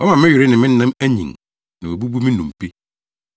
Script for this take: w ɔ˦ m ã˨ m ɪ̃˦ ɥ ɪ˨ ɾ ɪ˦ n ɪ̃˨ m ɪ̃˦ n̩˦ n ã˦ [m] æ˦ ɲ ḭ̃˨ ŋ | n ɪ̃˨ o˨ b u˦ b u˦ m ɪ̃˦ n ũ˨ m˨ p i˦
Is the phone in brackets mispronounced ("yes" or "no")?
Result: no